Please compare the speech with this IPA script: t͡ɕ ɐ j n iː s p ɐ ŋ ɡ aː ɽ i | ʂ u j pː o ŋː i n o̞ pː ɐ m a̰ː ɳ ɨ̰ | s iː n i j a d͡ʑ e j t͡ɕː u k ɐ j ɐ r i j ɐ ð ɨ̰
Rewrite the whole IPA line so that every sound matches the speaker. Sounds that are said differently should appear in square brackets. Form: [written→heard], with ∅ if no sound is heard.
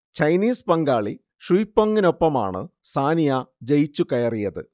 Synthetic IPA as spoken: t͡ɕ ɐ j n iː s p ɐ ŋ ɡ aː [ɽ→ɭ] i | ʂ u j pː o ŋː i n o̞ pː ɐ m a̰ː ɳ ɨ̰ | s [iː→aː] n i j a d͡ʑ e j t͡ɕː u k ɐ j ɐ r i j ɐ ð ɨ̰